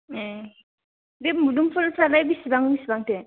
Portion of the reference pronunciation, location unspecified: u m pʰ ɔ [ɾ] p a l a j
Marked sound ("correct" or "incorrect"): incorrect